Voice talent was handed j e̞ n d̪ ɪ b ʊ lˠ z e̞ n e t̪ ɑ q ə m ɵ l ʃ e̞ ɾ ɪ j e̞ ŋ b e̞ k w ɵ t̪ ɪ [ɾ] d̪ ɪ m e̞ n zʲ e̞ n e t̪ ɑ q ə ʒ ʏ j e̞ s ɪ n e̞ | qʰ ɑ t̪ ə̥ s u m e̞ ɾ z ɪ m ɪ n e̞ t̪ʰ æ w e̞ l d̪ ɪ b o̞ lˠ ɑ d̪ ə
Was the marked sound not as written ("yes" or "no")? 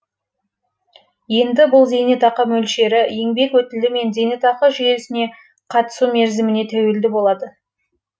yes